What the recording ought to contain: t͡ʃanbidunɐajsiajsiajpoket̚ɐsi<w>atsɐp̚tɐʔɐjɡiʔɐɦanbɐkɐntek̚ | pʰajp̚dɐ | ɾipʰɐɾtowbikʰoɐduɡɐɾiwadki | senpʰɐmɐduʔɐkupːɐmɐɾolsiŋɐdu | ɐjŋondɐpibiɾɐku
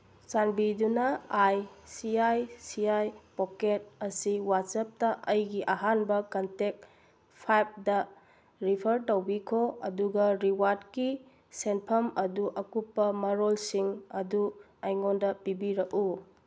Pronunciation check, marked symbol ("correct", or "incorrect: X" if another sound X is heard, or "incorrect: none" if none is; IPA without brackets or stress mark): correct